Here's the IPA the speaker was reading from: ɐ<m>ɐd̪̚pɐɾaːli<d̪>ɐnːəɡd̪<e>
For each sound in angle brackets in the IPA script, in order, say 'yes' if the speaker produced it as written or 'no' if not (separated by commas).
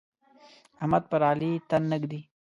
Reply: yes, no, no